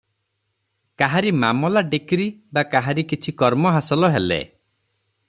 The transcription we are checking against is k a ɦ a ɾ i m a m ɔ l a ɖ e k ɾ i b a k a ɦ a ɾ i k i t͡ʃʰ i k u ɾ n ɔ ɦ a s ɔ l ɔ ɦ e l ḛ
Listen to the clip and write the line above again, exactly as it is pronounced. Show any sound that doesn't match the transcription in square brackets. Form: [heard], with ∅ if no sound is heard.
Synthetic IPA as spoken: k a ɦ a ɾ i m a m ɔ l a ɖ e k ɾ i b a k a ɦ a ɾ i k i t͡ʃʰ i k [ɔ] ɾ [m] ɔ ɦ a s ɔ l ɔ ɦ e l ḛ

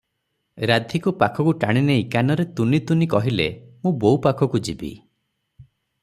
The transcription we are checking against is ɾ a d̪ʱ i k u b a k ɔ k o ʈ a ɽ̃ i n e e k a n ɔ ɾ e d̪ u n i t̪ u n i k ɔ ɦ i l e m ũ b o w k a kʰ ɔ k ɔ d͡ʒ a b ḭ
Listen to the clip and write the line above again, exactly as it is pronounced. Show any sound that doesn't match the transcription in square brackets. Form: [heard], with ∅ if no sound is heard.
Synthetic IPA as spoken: ɾ a d̪ʱ i k u [p] a [kʰ] ɔ k [u] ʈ a ɽ̃ i n e [i] k a n ɔ ɾ e [t̪] u n i t̪ u n i k ɔ ɦ i l e m ũ b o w [p] a kʰ ɔ k [u] d͡ʒ [i] b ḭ

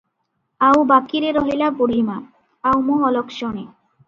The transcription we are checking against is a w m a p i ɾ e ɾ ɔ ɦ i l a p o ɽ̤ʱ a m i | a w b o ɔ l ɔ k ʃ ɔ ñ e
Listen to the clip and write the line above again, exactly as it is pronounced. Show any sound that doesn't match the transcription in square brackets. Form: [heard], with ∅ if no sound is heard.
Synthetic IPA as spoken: a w [b] a [k] i ɾ e ɾ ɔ ɦ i l a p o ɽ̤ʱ [i] m [a] | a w [m] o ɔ l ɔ k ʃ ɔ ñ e

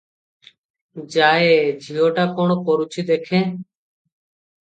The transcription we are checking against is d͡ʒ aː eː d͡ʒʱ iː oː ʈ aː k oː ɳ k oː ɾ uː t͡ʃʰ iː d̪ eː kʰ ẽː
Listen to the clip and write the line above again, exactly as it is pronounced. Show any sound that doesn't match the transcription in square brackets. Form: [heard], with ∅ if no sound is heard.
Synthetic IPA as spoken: d͡ʒ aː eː d͡ʒʱ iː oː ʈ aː k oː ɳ k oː ɾ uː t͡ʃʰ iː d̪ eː kʰ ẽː

